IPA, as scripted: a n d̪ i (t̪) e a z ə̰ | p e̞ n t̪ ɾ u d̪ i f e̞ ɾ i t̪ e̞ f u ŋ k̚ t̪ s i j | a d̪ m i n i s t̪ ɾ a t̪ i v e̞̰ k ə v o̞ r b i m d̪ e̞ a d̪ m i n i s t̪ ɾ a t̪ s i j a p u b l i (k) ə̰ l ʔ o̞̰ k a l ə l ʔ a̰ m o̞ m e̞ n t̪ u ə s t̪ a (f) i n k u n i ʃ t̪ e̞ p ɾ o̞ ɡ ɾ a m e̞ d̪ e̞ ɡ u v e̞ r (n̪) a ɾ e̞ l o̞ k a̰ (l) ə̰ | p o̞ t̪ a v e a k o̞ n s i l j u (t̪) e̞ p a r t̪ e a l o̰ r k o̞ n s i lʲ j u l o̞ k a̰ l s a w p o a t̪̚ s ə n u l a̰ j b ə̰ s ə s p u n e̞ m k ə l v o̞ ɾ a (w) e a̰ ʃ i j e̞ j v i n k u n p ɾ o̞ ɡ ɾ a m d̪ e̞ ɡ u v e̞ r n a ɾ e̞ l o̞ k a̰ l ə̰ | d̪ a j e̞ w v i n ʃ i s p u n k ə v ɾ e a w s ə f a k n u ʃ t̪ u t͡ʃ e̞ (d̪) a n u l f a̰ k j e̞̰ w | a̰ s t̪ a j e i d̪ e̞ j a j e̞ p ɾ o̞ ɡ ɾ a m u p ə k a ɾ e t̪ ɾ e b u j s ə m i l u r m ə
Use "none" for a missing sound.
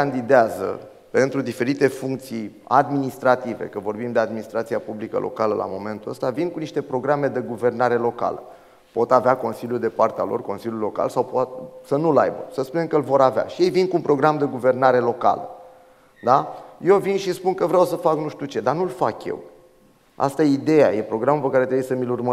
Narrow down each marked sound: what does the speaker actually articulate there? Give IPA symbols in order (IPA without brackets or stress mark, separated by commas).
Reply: d̪, k, v, n̪, l, d̪, v, d̪